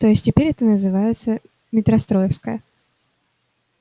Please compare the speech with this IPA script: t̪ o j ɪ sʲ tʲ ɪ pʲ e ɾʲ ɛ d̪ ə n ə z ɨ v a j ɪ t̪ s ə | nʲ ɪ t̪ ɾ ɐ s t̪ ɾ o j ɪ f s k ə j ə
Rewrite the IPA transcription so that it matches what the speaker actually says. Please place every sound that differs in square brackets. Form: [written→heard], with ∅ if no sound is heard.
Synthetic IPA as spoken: t̪ o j ɪ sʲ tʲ ɪ pʲ e ɾʲ ɛ [d̪→t̪] ə n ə z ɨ v a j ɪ t̪ s ə | [nʲ→mʲ] ɪ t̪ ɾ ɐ s t̪ ɾ o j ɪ f s k ə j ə